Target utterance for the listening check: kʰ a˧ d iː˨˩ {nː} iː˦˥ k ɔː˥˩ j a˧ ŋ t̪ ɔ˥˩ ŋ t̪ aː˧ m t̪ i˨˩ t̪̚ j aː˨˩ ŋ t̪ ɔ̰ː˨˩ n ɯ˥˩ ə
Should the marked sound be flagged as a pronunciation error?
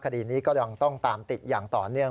yes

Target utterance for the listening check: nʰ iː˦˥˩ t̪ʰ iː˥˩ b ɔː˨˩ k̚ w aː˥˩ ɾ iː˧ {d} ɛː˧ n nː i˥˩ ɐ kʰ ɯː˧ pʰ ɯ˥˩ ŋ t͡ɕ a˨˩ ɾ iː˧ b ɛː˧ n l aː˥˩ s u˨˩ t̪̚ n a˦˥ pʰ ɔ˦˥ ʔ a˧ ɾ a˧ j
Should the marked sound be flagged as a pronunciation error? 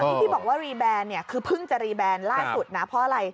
yes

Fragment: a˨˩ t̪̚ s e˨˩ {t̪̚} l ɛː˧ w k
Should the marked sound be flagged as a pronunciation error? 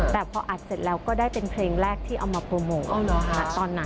no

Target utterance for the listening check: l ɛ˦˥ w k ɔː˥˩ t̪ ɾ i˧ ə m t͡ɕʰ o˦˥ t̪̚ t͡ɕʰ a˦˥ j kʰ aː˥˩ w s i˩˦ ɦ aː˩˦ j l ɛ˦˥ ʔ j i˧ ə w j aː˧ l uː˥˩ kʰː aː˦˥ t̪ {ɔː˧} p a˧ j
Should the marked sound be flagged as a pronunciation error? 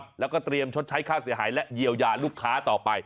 yes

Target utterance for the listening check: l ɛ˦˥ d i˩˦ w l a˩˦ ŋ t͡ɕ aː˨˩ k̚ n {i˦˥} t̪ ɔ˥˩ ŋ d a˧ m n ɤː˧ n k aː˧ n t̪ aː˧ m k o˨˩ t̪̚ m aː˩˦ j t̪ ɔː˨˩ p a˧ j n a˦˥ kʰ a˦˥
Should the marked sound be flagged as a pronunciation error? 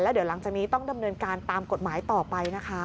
yes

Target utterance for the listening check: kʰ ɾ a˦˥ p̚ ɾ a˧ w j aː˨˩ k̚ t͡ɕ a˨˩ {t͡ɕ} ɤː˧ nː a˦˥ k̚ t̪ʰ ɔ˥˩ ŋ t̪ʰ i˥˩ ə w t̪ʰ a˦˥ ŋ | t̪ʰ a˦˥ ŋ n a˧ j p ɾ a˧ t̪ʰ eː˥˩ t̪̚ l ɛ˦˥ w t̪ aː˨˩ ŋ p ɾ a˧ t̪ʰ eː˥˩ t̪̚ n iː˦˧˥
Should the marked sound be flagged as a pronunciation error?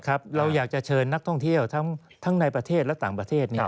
yes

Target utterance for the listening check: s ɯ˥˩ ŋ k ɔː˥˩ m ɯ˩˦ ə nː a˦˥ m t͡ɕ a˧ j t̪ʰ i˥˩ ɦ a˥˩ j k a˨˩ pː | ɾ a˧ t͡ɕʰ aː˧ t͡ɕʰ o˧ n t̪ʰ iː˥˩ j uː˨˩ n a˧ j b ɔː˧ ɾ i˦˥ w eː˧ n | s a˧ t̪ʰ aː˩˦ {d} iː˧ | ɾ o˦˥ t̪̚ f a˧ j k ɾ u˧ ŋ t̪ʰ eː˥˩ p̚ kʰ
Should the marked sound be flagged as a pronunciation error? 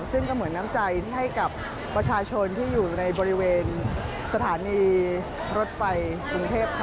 yes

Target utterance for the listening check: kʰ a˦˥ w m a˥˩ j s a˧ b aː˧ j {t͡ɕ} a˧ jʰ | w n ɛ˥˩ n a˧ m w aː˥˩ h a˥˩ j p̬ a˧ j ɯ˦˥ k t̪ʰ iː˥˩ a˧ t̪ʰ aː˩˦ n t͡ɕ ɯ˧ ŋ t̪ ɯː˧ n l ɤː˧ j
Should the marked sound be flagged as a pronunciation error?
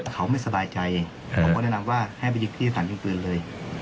no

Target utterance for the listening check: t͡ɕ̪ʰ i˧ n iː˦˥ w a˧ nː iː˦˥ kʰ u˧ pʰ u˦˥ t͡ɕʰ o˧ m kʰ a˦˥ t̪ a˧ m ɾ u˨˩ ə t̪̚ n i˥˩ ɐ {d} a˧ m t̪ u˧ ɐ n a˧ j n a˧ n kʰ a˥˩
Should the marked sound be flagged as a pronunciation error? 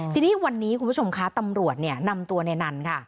yes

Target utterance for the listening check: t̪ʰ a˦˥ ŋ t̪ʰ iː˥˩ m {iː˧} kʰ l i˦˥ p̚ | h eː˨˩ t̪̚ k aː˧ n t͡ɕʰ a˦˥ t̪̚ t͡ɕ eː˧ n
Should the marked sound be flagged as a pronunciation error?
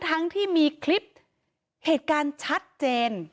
no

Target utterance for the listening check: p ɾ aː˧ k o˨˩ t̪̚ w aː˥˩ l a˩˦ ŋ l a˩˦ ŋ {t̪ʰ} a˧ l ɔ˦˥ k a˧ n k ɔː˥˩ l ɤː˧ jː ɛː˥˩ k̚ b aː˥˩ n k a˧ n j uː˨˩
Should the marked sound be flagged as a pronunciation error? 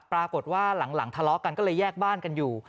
no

